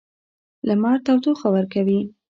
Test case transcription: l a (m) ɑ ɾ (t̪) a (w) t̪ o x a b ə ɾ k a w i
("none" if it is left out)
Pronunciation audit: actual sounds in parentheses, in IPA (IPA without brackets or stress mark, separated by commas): m, t̪, w